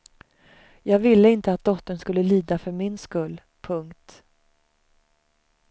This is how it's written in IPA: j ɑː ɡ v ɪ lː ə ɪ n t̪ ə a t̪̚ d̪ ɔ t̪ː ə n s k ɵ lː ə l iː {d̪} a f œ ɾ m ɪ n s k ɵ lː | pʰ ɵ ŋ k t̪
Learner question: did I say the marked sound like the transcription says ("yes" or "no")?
yes